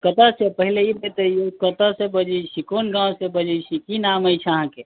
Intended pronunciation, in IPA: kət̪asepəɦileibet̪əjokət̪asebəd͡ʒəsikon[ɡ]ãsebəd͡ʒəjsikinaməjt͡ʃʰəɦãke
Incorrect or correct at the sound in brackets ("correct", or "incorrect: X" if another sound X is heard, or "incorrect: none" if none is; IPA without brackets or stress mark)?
correct